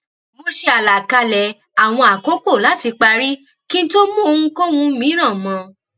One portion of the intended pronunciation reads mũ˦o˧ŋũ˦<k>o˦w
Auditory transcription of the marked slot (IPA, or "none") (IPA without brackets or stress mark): k